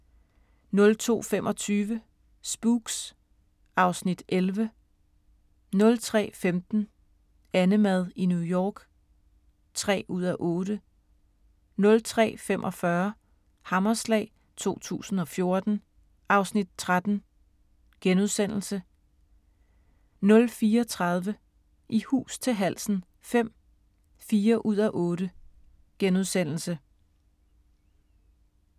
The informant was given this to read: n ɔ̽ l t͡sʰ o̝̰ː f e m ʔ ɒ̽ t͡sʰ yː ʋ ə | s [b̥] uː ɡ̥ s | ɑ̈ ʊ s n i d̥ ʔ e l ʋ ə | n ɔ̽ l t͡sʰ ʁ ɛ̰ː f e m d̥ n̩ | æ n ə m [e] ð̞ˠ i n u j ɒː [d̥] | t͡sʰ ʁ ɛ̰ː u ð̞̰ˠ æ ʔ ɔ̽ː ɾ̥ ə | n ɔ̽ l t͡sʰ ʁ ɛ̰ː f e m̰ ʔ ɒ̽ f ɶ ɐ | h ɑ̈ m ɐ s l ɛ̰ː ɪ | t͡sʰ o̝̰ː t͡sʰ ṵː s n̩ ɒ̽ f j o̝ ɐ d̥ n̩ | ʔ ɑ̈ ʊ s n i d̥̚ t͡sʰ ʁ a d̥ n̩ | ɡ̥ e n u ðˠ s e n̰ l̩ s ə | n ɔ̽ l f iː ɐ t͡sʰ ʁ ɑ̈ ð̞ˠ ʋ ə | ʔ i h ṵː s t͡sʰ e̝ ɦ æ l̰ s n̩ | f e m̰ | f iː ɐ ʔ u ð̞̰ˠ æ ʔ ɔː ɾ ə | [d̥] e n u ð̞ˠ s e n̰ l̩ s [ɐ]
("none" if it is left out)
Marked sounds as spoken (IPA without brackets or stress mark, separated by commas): b̥, æ, ɡ̥, ɡ̥, ə